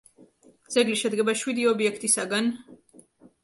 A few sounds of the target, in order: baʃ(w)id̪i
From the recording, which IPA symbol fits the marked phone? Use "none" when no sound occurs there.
w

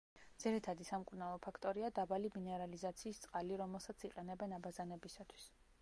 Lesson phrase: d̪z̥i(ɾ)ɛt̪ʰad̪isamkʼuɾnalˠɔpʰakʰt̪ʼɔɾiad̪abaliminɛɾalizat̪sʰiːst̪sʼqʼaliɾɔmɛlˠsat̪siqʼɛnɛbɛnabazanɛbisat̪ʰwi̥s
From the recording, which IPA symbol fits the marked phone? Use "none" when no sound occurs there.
ɾ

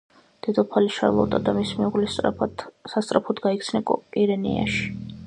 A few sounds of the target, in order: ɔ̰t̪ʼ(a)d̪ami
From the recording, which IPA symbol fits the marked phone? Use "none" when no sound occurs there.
a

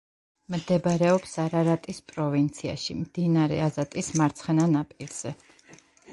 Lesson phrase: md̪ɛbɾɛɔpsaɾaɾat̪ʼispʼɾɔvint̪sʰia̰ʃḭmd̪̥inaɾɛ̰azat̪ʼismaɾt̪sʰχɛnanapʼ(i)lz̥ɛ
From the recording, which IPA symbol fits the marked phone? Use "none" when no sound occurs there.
i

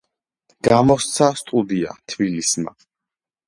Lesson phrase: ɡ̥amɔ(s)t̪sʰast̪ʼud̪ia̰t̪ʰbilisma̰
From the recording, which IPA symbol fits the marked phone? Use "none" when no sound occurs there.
s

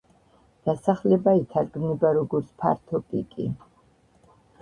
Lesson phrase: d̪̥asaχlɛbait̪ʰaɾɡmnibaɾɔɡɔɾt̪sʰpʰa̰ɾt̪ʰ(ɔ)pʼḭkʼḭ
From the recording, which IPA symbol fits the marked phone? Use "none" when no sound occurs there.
ɔ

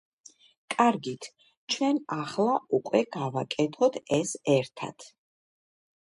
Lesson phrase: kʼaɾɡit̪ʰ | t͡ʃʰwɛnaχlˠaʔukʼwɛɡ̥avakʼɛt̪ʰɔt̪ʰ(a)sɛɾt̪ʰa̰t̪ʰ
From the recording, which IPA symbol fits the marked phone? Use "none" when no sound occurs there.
ɛ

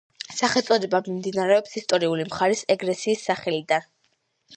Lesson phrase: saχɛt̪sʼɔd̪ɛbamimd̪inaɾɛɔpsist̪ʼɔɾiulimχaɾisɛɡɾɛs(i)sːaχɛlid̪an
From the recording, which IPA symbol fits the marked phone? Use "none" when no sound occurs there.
iː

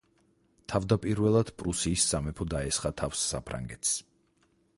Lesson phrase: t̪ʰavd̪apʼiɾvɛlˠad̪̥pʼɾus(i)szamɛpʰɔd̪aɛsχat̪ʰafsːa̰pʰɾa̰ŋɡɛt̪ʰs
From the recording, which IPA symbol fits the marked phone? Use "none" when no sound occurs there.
iː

